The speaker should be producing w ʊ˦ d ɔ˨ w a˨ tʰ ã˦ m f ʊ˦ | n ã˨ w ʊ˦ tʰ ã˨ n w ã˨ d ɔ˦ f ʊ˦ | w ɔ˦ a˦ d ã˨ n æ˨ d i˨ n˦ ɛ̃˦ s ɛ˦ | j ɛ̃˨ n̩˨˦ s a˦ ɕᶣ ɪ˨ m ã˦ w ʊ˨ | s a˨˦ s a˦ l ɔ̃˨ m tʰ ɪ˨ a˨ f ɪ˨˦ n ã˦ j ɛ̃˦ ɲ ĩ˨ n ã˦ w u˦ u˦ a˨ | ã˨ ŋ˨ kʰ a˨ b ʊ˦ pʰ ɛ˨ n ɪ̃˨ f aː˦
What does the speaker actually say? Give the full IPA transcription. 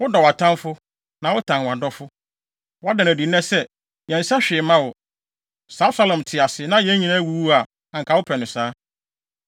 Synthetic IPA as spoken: w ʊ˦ d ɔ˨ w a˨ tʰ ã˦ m f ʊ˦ | n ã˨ w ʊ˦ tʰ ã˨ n w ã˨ d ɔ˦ f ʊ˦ | w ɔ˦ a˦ d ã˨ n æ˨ d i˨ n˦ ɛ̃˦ s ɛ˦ | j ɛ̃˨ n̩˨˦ s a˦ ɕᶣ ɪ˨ m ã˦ w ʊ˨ | s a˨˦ s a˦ l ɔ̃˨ m tʰ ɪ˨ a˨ s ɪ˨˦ n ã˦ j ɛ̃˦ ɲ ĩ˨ n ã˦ w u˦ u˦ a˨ | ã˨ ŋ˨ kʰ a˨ w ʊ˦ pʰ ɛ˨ n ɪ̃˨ s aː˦